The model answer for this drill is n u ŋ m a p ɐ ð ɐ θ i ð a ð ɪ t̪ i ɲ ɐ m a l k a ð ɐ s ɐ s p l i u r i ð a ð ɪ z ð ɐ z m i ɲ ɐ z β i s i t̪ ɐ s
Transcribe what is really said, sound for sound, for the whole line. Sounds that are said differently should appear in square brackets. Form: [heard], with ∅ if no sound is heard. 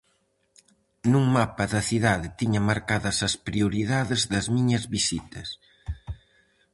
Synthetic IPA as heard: n u ŋ m a p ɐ ð ɐ θ i ð a ð ɪ t̪ i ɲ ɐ m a [ɾ] k a ð ɐ s ɐ s p [ɾ] i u [ɾ] i ð a ð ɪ z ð ɐ z m i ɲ ɐ z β i s i t̪ ɐ s